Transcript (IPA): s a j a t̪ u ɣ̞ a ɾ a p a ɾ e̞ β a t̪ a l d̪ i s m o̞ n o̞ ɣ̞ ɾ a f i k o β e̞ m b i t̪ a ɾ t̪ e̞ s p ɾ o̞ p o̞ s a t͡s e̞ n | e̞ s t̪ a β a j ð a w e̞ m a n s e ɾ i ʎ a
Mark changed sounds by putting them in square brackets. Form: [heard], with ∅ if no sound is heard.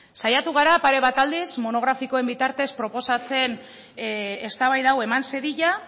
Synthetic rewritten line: s a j a t̪ u ɣ̞ a ɾ a p a ɾ e̞ β a t̪ a l d̪ i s m o̞ n o̞ ɣ̞ ɾ a f i k o [∅] e̞ m b i t̪ a ɾ t̪ e̞ s p ɾ o̞ p o̞ s a t͡s e̞ n | e̞ s t̪ a β a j ð a w e̞ m a n s e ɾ i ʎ a